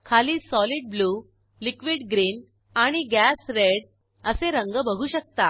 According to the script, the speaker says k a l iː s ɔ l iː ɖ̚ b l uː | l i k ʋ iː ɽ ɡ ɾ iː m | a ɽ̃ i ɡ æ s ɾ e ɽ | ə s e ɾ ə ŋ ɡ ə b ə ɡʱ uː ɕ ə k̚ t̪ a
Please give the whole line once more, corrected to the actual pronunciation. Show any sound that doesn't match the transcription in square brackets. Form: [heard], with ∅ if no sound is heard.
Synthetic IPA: [kʰ] a l iː s ɔ l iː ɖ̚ b l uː | l i k ʋ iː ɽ ɡ ɾ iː [n] | a ɽ̃ i ɡ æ s ɾ e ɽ | ə s e ɾ ə ŋ ɡ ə b ə ɡʱ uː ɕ ə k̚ t̪ a